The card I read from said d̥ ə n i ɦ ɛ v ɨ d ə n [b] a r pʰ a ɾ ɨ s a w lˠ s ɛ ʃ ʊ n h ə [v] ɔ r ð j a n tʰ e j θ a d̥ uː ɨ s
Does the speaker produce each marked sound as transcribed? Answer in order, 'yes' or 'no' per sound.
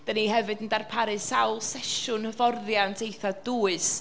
no, yes

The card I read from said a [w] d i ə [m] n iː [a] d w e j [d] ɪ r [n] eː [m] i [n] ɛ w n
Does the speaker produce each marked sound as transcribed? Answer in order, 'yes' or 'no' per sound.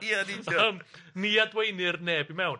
no, yes, yes, no, yes, no, no

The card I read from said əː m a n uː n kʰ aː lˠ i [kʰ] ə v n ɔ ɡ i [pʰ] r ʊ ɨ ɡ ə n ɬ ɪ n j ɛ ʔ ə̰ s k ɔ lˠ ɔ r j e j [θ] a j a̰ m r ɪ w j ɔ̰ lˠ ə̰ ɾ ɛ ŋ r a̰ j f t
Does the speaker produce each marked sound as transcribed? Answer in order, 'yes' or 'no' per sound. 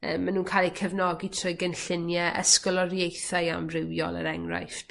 yes, no, yes

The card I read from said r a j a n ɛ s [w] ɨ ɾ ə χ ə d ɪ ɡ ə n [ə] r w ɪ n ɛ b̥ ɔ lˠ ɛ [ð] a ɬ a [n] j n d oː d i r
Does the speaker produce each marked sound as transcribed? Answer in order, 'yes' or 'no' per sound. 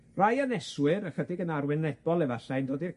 yes, no, no, no

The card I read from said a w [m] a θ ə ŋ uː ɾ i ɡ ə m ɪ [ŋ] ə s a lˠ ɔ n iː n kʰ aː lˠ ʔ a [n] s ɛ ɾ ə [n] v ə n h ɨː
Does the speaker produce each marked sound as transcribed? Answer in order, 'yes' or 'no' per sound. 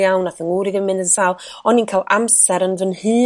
no, no, no, yes

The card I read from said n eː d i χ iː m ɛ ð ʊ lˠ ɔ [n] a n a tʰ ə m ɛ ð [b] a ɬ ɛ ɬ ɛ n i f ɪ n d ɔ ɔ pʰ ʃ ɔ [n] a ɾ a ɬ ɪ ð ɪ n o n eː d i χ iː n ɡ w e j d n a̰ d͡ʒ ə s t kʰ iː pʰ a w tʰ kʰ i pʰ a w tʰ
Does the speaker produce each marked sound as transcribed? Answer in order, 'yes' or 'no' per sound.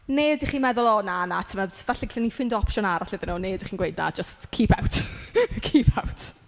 yes, no, yes

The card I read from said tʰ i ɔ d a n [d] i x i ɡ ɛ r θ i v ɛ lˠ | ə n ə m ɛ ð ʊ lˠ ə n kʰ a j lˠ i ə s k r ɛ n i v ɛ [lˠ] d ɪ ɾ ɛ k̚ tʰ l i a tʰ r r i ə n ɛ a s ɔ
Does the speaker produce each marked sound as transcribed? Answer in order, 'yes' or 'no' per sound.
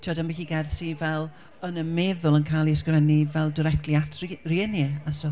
no, yes

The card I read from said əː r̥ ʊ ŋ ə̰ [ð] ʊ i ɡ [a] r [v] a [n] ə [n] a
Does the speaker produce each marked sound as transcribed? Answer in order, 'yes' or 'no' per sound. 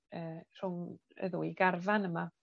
yes, yes, yes, yes, no

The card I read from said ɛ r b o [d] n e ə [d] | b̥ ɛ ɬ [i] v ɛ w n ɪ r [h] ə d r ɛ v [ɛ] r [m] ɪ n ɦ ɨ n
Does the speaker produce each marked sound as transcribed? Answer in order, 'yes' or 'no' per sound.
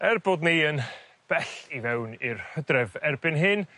yes, no, yes, yes, yes, no

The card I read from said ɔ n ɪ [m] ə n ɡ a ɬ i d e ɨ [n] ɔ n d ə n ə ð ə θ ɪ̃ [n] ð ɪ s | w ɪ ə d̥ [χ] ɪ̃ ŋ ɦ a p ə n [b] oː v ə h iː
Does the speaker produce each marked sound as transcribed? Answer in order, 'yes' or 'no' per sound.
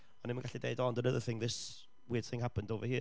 yes, no, no, no, no

